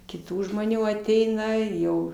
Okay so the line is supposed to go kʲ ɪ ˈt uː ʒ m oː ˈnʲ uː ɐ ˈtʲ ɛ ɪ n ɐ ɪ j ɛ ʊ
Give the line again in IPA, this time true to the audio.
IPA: kʲ ɪ ˈt uː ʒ m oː ˈnʲ uː ɐ ˈtʲ ɛ ɪ n ɐ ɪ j ɛ ʊ